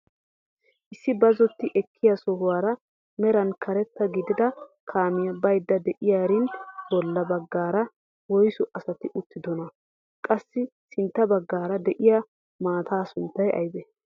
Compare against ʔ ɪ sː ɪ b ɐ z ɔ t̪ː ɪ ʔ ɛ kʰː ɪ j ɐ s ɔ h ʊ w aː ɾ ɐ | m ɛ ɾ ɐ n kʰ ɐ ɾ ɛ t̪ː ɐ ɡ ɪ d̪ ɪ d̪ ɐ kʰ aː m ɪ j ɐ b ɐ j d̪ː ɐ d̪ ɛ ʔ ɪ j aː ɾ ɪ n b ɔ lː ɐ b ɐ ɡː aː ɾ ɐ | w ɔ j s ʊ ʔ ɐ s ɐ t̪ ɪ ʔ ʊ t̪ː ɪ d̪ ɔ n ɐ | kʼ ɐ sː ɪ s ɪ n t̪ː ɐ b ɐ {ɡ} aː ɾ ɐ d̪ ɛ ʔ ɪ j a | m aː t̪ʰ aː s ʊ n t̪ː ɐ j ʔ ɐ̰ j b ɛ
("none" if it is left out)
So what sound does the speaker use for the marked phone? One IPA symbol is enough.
ɡː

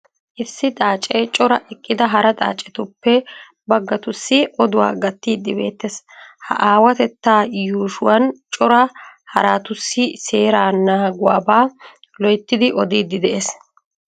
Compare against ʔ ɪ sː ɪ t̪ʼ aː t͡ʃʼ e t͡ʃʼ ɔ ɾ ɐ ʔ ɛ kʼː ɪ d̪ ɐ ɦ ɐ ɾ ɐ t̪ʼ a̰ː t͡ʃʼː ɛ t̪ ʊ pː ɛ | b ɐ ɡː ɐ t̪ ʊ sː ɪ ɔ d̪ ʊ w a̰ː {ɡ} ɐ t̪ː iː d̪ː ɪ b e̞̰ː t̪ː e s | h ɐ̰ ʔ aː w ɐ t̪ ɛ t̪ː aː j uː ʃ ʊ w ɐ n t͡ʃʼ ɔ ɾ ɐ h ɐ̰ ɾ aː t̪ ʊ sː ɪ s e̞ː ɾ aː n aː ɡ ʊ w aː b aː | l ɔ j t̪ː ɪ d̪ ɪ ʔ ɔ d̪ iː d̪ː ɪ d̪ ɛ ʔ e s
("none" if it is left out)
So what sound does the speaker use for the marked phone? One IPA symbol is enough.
ɡ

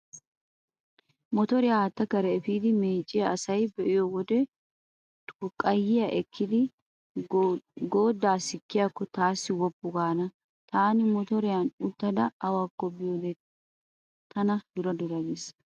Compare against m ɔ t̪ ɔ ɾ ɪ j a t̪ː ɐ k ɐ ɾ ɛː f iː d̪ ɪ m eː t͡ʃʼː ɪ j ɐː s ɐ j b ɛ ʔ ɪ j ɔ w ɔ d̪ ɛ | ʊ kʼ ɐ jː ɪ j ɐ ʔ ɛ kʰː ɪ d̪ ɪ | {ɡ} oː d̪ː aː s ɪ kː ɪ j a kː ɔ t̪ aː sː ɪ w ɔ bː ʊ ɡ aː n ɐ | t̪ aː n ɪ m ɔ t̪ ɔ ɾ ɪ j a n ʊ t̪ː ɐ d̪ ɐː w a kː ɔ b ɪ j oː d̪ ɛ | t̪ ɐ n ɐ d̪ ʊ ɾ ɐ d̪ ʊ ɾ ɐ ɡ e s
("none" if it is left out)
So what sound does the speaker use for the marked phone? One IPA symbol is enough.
ɡ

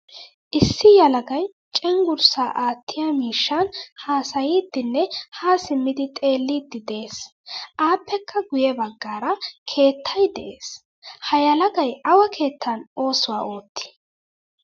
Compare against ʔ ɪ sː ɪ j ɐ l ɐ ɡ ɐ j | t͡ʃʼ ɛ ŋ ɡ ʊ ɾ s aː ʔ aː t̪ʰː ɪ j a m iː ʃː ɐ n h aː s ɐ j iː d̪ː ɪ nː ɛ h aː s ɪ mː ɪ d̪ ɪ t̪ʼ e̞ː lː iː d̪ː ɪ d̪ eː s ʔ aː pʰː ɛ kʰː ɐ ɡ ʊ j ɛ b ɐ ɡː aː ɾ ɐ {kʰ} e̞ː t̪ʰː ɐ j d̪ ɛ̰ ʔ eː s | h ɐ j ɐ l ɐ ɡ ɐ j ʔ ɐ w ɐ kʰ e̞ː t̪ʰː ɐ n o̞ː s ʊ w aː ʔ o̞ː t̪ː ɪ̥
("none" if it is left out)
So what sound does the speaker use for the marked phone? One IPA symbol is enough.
kʰ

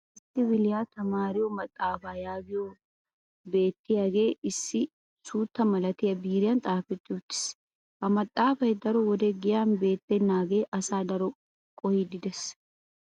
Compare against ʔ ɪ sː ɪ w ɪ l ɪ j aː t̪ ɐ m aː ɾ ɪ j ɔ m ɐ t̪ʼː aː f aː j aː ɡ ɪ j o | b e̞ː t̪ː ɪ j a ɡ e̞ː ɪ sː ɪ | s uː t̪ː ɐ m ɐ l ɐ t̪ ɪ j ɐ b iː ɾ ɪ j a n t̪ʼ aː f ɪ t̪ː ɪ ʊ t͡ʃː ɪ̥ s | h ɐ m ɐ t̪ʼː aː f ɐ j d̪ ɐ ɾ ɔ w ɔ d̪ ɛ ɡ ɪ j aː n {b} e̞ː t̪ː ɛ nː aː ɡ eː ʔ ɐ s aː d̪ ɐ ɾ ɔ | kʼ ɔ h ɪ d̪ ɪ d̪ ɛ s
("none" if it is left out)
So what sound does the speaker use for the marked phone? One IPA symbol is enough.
b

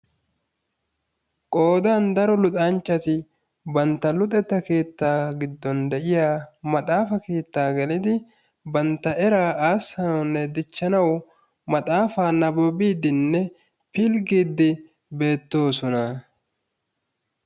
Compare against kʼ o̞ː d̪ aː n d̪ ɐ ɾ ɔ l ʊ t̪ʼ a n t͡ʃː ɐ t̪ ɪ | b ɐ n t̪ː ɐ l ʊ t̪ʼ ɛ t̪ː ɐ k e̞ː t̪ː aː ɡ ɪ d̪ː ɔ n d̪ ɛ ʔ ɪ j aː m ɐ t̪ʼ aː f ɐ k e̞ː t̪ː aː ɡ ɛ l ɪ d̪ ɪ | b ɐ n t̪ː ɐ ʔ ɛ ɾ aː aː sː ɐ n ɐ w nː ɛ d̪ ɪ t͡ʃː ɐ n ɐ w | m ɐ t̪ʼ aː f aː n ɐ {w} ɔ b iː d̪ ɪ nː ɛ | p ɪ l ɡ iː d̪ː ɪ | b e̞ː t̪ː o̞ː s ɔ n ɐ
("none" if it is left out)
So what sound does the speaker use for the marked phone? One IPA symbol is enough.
b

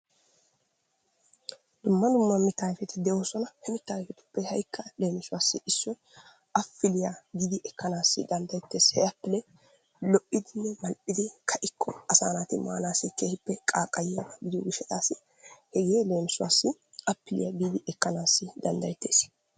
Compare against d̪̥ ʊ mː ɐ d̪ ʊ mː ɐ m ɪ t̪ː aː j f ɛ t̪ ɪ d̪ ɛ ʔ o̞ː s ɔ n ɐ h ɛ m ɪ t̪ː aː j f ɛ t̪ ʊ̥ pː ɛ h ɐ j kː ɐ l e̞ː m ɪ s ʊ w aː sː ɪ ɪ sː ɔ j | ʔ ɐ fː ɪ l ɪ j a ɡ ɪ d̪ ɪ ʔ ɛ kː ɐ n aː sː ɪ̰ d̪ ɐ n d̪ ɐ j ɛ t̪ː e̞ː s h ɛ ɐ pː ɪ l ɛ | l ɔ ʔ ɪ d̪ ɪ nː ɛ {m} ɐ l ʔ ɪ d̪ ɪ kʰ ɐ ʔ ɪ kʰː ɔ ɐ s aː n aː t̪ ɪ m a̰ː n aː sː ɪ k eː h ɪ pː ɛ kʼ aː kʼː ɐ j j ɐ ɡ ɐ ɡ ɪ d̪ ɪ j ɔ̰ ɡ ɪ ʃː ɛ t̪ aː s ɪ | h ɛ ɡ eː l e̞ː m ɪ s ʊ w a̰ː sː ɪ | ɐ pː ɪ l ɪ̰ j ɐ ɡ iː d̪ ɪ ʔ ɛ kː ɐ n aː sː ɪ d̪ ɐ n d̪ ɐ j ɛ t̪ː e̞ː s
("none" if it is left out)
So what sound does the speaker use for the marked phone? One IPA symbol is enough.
m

